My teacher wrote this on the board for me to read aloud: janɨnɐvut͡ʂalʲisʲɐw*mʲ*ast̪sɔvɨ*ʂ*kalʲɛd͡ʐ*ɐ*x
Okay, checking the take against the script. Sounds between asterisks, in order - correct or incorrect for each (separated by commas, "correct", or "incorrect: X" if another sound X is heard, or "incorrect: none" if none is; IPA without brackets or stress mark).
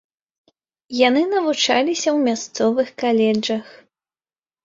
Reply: correct, incorrect: x, correct